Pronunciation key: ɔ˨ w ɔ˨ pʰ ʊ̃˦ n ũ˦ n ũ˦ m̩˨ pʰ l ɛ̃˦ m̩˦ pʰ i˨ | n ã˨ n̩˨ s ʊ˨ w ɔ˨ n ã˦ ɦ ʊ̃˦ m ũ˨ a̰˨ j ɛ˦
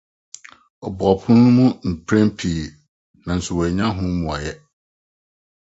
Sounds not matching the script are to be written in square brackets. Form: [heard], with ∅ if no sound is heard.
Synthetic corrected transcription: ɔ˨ [b] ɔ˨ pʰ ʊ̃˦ n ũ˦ [m] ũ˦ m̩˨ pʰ [ɾ] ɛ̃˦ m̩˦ pʰ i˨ | n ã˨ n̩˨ s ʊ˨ w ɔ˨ [ɲ] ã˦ ɦ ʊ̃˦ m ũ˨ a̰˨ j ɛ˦